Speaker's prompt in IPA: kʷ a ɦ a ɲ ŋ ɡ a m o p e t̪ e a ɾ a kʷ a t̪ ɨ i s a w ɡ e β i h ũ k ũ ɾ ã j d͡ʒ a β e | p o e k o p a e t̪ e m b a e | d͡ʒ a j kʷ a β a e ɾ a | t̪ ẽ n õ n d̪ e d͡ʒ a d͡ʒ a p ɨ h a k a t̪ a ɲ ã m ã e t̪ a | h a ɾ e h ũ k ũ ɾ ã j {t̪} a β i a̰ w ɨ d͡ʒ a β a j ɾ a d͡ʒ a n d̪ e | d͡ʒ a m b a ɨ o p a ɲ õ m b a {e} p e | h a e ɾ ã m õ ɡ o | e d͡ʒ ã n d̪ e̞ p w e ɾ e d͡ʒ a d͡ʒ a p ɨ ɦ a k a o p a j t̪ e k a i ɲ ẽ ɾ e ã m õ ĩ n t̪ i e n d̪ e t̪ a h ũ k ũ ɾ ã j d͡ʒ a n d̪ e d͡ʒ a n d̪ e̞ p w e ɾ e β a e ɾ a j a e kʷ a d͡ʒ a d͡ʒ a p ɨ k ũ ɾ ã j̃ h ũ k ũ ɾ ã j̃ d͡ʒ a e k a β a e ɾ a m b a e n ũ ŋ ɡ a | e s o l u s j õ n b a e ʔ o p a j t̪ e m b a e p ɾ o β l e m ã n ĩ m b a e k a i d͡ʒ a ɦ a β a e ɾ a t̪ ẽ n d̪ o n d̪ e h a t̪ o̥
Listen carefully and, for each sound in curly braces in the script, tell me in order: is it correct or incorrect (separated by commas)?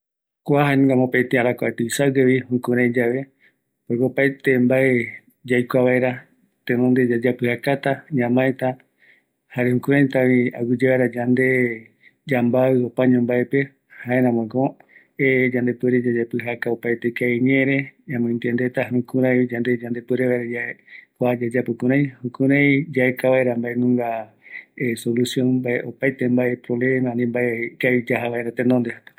correct, correct